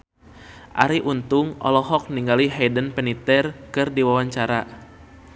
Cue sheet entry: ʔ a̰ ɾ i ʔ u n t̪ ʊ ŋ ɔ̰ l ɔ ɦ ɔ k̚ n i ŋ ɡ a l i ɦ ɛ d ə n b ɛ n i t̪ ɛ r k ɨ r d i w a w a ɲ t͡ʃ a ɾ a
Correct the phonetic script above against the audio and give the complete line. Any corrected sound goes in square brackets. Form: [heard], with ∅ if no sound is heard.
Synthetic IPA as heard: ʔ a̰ ɾ i ʔ u n t̪ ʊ ŋ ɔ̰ l ɔ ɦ ɔ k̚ n i ŋ ɡ a l i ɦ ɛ d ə n [p] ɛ n i t̪ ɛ r k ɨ r d i w a w a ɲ t͡ʃ a ɾ a